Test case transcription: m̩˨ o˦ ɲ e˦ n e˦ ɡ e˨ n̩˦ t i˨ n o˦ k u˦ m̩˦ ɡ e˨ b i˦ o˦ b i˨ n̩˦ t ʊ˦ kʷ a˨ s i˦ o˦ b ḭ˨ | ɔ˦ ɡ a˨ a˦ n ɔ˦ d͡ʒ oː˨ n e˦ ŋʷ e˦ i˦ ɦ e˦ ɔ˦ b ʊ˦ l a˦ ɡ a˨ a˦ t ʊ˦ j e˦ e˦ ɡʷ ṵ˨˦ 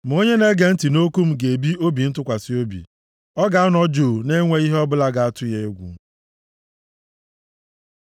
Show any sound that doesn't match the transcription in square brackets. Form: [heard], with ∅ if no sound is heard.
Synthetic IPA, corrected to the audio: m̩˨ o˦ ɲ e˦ n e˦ ɡ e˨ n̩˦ t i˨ n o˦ k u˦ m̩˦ ɡ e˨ b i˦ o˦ b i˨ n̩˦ t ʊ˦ kʷ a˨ s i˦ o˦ b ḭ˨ | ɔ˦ ɡ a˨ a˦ n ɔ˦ d͡ʒ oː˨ n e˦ ŋʷ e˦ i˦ ɦ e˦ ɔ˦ b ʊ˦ l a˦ ɡ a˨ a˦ t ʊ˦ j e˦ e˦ ɡʷ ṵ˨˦

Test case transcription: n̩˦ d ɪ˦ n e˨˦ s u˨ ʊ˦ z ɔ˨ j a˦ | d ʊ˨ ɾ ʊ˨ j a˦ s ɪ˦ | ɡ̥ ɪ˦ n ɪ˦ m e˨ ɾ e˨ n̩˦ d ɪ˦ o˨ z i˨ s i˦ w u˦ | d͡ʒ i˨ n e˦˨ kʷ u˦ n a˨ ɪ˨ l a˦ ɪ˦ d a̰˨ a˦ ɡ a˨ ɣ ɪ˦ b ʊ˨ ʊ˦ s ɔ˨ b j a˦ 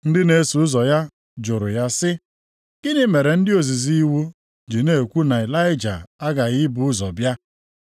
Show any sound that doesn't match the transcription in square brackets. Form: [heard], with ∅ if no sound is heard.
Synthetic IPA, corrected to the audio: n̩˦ d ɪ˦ n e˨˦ s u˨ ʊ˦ z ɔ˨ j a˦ | [d͡ʒ] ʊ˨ ɾ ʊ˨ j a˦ s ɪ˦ | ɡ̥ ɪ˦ n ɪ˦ m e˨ ɾ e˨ n̩˦ d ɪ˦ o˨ z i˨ [z] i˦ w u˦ | d͡ʒ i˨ n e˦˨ kʷ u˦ n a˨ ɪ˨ l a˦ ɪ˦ [d͡ʒ] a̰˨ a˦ ɡ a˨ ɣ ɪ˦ b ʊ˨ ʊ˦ [z] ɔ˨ b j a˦

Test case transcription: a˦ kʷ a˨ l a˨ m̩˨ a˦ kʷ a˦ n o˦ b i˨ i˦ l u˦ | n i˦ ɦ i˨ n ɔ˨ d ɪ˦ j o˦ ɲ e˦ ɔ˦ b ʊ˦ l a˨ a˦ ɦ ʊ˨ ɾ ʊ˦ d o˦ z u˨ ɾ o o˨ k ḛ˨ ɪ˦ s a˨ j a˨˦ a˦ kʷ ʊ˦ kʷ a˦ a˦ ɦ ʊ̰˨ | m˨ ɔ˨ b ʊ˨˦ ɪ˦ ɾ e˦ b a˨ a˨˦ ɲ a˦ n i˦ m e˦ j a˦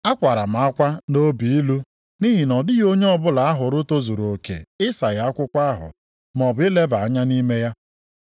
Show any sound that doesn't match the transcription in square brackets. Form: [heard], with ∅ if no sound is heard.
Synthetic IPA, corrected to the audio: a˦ kʷ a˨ [ɾ] a˨ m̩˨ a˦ kʷ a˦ n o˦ b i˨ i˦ l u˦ | n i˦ ɦ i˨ n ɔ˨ d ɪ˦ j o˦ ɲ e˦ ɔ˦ b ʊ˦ l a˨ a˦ ɦ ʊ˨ ɾ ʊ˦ [t] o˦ z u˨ ɾ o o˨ k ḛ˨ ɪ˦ s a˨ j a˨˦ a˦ kʷ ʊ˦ kʷ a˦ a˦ ɦ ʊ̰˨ | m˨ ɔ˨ b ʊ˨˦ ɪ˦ [l] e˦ b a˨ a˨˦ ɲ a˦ n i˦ m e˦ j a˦

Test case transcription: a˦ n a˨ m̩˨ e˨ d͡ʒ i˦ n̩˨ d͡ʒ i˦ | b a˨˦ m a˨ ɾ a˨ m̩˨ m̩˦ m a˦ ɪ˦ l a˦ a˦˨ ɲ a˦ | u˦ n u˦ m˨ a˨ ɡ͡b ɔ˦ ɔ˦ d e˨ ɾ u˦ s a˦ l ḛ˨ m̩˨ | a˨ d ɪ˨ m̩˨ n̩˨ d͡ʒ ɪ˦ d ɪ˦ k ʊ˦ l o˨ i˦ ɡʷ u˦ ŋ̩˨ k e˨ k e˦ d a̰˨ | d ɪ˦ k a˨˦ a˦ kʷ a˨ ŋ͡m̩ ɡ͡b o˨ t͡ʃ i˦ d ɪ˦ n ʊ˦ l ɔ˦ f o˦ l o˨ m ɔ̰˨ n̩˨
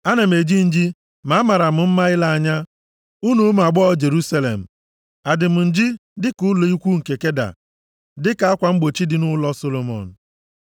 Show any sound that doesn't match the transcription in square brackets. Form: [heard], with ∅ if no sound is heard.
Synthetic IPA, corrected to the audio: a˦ n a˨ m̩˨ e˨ d͡ʒ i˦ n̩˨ d͡ʒ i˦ | [m] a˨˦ m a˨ ɾ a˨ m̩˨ m̩˦ m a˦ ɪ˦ l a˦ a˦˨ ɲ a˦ | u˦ n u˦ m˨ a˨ ɡ͡b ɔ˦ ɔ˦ [d͡ʒ] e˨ ɾ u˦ s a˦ l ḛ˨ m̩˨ | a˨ d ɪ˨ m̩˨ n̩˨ d͡ʒ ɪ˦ d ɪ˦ k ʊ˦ l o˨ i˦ [kʷ] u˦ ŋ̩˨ k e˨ k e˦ d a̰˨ | d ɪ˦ k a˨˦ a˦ kʷ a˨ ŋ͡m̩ ɡ͡b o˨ t͡ʃ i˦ d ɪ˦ n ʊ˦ l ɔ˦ [s] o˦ l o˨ m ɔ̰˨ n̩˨

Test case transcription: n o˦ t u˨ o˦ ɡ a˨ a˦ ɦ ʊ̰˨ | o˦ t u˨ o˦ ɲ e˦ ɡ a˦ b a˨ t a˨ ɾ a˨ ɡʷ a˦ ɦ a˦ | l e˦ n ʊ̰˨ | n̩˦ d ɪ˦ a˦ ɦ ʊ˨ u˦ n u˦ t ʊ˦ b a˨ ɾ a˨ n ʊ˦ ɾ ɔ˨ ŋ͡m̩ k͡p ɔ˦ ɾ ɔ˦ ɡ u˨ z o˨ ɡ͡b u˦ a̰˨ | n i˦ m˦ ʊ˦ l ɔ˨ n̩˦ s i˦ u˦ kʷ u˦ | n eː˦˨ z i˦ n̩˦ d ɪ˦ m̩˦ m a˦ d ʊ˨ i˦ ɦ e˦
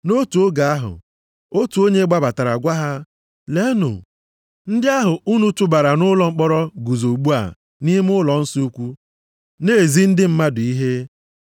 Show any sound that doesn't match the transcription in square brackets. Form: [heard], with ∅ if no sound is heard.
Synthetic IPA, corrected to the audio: n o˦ t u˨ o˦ ɡ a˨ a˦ ɦ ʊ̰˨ | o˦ t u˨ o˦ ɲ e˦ [ɡ͡b] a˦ b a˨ t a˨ ɾ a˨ ɡʷ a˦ ɦ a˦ | l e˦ n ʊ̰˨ | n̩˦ d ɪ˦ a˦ ɦ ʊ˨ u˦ n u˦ t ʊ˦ b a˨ ɾ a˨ n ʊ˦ [l] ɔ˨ ŋ͡m̩ k͡p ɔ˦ ɾ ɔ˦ ɡ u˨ z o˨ ɡ͡b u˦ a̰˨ | n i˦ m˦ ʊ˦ l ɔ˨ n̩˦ s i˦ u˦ kʷ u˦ | n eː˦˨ z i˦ n̩˦ d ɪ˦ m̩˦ m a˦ d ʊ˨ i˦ ɦ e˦

